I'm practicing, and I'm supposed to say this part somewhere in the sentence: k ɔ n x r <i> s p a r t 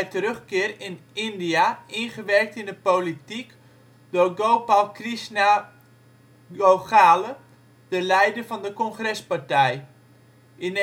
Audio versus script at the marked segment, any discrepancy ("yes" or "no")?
yes